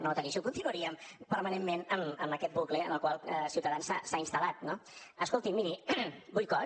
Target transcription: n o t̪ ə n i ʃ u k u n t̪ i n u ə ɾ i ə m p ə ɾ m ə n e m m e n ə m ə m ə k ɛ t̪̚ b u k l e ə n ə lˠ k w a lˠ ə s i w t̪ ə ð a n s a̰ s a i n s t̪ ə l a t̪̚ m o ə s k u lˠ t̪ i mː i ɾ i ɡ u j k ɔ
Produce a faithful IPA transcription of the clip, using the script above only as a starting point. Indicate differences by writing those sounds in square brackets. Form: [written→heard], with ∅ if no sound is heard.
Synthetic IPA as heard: n o t̪ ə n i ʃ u k u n t̪ i n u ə ɾ i ə m p ə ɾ m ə n e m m e n ə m ə m ə k ɛ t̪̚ b u k l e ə n ə lˠ k w a lˠ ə s i w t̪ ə ð a n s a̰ s a i n s t̪ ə l a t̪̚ [m→n] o ə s k [u→o] lˠ t̪ i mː i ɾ i [ɡ→b] u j k ɔ